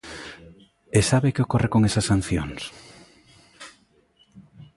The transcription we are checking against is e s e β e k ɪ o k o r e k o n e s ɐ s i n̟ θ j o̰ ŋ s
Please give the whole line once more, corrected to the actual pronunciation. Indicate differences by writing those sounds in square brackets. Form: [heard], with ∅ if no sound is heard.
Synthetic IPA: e s [a] β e k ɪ o k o r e k o [ŋ] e s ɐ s [a] n̟ θ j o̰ ŋ s